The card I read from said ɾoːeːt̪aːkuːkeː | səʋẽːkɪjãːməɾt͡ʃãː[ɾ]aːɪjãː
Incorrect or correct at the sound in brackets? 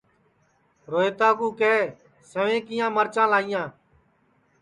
incorrect: l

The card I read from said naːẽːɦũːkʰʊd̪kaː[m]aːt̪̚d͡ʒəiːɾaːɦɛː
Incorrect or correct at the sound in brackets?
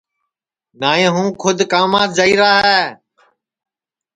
correct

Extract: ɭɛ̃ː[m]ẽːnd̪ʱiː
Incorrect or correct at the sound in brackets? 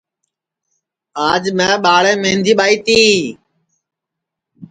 correct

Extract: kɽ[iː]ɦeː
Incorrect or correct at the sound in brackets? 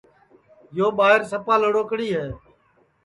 correct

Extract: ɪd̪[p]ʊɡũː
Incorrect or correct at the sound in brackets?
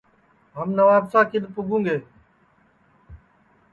correct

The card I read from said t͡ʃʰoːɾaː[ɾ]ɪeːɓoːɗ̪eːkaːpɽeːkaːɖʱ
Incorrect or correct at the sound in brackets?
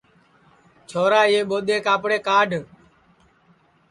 incorrect: none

